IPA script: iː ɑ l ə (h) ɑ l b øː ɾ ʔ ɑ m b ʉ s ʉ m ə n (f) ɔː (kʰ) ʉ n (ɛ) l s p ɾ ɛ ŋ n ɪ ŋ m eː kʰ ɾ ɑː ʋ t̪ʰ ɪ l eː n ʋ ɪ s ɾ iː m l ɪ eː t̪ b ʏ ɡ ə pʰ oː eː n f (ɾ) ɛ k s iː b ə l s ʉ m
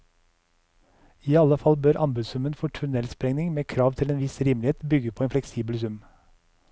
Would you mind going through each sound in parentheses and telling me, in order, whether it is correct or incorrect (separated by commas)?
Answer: incorrect, correct, incorrect, correct, incorrect